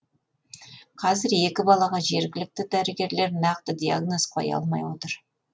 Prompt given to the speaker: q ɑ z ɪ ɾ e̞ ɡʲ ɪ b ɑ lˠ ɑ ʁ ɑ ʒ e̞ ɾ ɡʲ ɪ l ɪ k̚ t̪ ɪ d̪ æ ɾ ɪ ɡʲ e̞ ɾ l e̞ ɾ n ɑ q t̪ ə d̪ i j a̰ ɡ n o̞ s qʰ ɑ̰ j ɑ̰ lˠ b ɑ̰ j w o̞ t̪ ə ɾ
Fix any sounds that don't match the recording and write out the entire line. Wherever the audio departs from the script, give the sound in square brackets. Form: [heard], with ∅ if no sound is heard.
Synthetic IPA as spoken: [qʰ] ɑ z ɪ ɾ e̞ [kʲ] ɪ b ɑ lˠ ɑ ʁ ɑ ʒ e̞ ɾ ɡʲ ɪ l ɪ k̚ t̪ ɪ d̪ æ ɾ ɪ ɡʲ e̞ ɾ l e̞ ɾ n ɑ q t̪ ə d̪ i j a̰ ɡ n o̞ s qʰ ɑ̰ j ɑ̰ lˠ [m] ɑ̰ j w o̞ t̪ ə ɾ